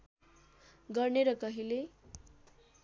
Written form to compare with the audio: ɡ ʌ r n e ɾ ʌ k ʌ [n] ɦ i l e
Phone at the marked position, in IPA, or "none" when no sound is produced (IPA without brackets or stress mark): none